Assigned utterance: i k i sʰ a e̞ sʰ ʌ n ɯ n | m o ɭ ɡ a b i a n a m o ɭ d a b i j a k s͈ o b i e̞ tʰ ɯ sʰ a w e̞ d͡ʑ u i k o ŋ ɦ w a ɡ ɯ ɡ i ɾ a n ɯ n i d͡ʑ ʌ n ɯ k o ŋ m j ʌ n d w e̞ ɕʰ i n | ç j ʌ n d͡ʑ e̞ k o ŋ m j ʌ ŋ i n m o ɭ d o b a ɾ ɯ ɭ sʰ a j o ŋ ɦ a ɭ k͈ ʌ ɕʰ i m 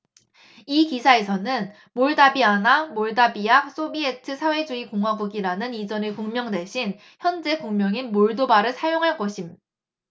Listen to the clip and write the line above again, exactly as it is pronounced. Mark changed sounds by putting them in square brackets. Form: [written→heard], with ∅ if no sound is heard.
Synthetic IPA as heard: i k i sʰ a e̞ sʰ ʌ n ɯ n | m o ɭ [ɡ→d] a b i a n a m o ɭ d a b i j a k s͈ o b i e̞ tʰ ɯ sʰ a w e̞ d͡ʑ u i k o ŋ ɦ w a ɡ [ɯ→u] ɡ i ɾ a n ɯ n i d͡ʑ ʌ n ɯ k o ŋ m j ʌ [n→ŋ] d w e̞ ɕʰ i n | ç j ʌ n d͡ʑ e̞ k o ŋ m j ʌ ŋ i n m o ɭ d o b a ɾ ɯ ɭ sʰ a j o ŋ ɦ a ɭ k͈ ʌ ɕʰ i m

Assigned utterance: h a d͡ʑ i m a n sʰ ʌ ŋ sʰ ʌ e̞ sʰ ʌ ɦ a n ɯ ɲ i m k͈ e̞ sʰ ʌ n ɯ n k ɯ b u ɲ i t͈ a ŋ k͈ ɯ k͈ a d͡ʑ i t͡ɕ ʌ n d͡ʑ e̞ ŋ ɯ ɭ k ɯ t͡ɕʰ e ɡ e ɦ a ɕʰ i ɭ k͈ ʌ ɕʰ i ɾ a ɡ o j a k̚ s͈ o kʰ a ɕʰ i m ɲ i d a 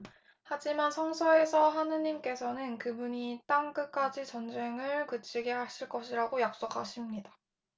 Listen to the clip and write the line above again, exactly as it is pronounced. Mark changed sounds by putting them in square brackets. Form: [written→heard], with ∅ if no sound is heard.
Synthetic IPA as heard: h a d͡ʑ i m a n sʰ ʌ ŋ sʰ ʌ e̞ sʰ ʌ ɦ a n ɯ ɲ i m k͈ e̞ sʰ ʌ n ɯ n k ɯ b u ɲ i t͈ a ŋ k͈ ɯ k͈ a d͡ʑ i t͡ɕ ʌ n d͡ʑ e̞ ŋ ɯ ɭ k ɯ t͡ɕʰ [e→i] ɡ e ɦ a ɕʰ i ɭ k͈ ʌ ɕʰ i ɾ a ɡ o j a k̚ s͈ o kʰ a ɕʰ i m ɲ i d a

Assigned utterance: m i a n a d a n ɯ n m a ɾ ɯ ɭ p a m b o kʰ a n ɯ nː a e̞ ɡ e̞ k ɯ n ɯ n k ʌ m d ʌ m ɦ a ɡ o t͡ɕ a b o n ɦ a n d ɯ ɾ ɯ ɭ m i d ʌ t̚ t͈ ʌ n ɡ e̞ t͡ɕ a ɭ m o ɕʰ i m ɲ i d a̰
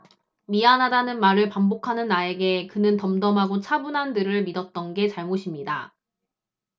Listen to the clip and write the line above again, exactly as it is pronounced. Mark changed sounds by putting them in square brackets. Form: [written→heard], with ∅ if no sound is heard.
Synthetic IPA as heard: m i a n a d a n ɯ n m a ɾ ɯ ɭ p a m b o kʰ a n ɯ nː a e̞ ɡ e̞ k ɯ n ɯ n [k→t] ʌ m d ʌ m ɦ a ɡ o [t͡ɕ→t͡ɕʰ] a b [o→u] n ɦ a n d ɯ ɾ ɯ ɭ m i d ʌ t̚ t͈ ʌ n ɡ e̞ t͡ɕ a ɭ m o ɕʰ i m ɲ i d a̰

